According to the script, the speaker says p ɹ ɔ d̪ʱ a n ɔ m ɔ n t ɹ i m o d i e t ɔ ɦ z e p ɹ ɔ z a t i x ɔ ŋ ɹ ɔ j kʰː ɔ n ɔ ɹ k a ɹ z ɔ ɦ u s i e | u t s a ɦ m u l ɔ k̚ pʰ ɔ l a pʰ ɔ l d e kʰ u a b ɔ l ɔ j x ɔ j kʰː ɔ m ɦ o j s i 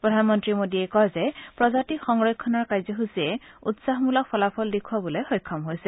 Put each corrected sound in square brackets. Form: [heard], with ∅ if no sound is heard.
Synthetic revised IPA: p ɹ ɔ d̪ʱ a n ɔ m ɔ n t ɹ i m o d i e [k] ɔ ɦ z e p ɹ ɔ z a t i x ɔ ŋ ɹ ɔ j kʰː ɔ n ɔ ɹ k a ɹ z ɔ ɦ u s i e | u t s a ɦ m u l ɔ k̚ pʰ ɔ l a pʰ ɔ l d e kʰ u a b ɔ l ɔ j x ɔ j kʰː ɔ m ɦ o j s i